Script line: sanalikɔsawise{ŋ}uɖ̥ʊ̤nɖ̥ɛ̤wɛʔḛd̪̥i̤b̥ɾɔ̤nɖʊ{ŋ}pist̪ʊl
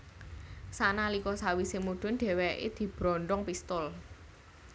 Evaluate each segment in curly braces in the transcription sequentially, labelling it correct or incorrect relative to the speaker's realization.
incorrect: m, correct

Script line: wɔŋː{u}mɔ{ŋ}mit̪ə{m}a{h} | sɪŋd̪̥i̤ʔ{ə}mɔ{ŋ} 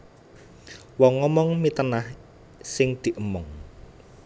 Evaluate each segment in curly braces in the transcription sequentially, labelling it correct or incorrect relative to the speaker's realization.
incorrect: ɔ, correct, incorrect: n, correct, correct, correct

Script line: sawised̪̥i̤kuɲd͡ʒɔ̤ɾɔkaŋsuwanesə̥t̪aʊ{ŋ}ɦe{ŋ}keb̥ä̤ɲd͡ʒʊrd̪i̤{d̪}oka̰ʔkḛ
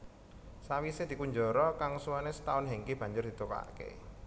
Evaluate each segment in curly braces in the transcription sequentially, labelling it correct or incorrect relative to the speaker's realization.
incorrect: n, correct, incorrect: t̪

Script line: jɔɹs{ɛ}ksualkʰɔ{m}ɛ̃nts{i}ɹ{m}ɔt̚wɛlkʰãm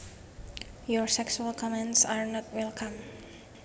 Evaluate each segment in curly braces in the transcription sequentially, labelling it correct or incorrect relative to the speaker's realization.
correct, correct, incorrect: a, incorrect: n

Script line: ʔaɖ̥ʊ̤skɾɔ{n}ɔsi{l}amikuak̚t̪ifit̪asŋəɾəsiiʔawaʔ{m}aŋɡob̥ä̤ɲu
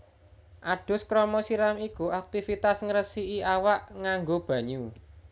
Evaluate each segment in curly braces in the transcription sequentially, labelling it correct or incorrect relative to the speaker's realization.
incorrect: m, incorrect: ɾ, incorrect: ŋ

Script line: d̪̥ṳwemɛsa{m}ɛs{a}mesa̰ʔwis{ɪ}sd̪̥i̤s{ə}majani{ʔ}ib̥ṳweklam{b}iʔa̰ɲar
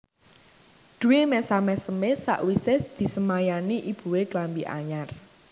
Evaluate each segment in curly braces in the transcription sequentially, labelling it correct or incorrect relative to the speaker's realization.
correct, incorrect: ə, correct, correct, correct, correct

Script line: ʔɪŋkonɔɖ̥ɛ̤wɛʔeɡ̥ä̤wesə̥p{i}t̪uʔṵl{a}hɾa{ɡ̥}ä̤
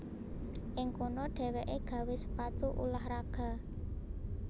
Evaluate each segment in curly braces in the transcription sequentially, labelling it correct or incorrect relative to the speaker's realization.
incorrect: a, correct, correct

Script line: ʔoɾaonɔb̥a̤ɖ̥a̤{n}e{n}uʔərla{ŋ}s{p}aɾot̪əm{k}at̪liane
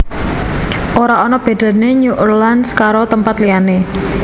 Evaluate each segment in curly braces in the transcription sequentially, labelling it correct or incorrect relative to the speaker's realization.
correct, incorrect: ɲ, incorrect: n, incorrect: k, incorrect: p

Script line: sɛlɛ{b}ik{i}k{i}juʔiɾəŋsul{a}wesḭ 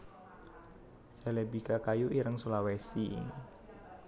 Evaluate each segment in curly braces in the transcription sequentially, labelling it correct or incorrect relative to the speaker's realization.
correct, incorrect: a, incorrect: a, correct

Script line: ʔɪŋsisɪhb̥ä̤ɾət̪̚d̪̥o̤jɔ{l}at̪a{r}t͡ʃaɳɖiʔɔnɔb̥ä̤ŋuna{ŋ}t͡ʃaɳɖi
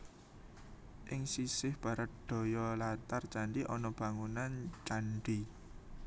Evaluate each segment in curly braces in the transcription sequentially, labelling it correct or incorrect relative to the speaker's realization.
correct, correct, incorrect: n

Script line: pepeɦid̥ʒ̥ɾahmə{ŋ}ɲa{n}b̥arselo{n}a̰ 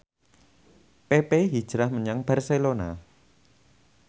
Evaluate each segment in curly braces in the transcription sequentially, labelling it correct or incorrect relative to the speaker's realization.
incorrect: none, incorrect: ŋ, correct

